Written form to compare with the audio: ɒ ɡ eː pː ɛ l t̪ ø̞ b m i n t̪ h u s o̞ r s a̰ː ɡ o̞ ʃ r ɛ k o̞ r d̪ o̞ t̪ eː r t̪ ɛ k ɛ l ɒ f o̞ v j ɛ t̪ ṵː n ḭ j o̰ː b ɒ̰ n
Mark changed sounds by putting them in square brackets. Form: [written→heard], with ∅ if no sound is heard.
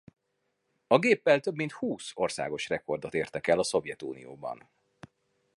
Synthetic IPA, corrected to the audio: ɒ ɡ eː pː ɛ l t̪ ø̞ b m i n t̪ h [u→uː] s o̞ r s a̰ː ɡ o̞ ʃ r ɛ k o̞ r d̪ o̞ t̪ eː r t̪ ɛ k ɛ l ɒ [f→s] o̞ v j ɛ t̪ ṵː n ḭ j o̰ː b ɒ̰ n